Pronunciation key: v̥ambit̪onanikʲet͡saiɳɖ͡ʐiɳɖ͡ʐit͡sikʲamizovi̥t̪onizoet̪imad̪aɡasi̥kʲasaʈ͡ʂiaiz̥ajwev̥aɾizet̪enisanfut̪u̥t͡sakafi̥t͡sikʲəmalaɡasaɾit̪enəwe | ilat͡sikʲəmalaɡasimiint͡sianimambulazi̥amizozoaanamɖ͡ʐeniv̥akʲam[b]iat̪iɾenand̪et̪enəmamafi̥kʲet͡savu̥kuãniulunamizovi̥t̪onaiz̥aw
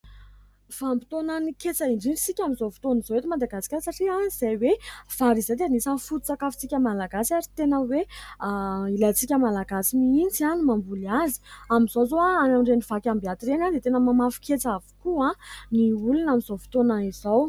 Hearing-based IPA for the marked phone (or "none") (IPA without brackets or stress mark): b